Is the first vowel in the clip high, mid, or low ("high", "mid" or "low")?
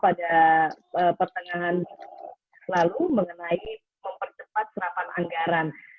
low